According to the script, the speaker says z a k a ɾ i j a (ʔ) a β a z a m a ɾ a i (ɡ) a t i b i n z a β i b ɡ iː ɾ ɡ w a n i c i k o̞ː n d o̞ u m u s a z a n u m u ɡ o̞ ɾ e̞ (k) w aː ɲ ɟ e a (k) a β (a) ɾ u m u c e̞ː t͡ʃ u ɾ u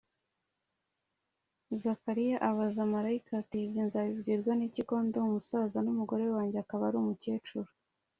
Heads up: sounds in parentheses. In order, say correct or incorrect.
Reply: correct, incorrect: k, incorrect: none, correct, correct

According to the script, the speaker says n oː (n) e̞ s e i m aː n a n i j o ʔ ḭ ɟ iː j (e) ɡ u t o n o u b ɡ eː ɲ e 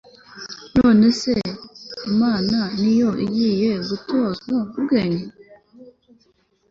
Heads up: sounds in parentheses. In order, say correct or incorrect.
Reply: correct, correct

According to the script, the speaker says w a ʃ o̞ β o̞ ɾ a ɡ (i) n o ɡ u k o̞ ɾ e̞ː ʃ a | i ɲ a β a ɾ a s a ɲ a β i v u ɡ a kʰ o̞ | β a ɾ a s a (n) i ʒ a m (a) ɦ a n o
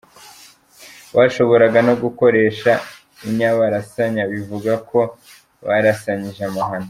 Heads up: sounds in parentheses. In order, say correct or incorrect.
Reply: incorrect: a, incorrect: ɲ, correct

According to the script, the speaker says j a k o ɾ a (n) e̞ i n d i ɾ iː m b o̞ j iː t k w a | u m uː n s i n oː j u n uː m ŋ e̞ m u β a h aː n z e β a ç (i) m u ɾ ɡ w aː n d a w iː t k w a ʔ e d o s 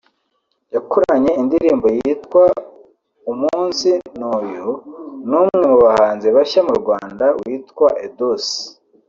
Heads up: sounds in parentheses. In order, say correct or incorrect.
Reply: incorrect: ɲ, incorrect: a

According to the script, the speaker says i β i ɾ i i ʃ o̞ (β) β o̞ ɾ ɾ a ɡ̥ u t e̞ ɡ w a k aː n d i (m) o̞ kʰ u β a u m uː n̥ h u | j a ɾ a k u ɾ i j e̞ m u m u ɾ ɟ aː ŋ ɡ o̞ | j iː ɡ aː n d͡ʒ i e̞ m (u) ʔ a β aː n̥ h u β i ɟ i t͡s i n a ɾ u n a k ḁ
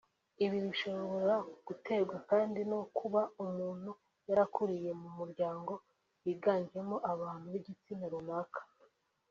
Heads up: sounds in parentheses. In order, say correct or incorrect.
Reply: correct, incorrect: n, incorrect: o

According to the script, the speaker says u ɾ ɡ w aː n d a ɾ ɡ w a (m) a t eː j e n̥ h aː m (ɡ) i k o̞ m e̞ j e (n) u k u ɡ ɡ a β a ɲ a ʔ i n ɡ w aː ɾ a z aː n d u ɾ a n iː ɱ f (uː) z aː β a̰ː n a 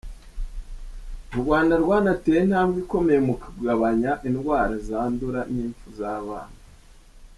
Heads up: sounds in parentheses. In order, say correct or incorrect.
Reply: incorrect: n, correct, incorrect: m, incorrect: u

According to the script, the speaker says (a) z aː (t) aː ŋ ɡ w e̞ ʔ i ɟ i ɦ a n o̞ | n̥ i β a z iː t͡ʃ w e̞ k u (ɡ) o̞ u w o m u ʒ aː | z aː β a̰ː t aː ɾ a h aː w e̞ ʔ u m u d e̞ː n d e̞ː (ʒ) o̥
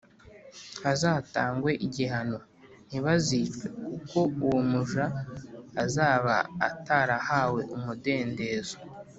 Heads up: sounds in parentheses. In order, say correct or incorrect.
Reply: correct, correct, incorrect: k, incorrect: z

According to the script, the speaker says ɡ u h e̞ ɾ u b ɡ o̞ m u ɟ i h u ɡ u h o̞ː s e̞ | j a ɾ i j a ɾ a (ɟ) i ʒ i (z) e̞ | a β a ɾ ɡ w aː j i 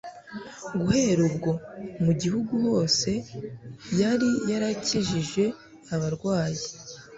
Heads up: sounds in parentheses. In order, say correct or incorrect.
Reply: incorrect: c, incorrect: ʒ

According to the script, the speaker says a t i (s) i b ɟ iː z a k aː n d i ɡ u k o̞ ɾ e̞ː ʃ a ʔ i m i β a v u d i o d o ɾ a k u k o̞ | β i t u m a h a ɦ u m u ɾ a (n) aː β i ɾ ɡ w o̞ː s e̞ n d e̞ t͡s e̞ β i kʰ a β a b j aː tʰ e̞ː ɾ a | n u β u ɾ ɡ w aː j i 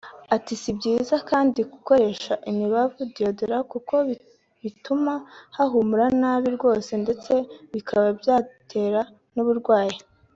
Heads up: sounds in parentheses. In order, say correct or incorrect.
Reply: correct, correct

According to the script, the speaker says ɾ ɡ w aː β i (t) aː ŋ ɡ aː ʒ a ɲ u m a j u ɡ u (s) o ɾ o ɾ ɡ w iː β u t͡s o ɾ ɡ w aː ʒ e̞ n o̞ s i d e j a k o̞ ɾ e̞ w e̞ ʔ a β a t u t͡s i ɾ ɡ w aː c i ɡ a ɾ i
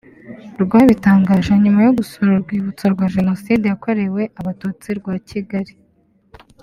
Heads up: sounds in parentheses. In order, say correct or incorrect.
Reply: correct, correct

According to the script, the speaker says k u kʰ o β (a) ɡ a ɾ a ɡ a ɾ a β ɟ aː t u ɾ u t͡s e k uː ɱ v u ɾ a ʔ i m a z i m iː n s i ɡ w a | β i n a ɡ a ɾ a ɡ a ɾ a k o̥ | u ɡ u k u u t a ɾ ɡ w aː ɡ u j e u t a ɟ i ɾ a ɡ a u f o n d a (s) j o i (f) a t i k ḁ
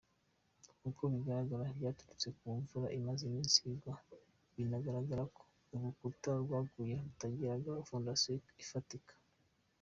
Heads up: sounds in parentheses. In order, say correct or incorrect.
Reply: incorrect: i, correct, correct

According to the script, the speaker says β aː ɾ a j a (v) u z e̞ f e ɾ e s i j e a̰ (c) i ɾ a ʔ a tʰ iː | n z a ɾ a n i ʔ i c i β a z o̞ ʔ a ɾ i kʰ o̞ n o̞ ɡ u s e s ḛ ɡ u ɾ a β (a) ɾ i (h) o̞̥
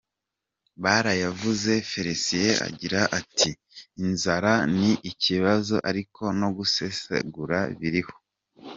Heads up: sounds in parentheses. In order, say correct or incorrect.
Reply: correct, incorrect: ɟ, incorrect: i, correct

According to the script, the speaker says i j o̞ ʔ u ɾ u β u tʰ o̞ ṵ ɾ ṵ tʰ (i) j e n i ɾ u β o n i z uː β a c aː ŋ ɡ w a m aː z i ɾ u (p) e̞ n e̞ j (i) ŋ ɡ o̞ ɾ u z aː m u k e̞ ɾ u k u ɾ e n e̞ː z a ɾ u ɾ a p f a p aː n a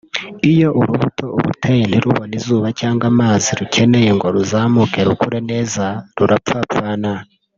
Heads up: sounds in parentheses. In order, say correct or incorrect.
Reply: incorrect: e, incorrect: c, incorrect: e

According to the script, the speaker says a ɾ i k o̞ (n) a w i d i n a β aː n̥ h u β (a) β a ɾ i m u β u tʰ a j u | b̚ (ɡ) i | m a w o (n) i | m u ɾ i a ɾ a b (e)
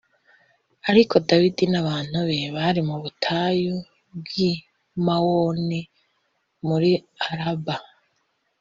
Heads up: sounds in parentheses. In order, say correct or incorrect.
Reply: incorrect: d, incorrect: e, correct, correct, incorrect: a

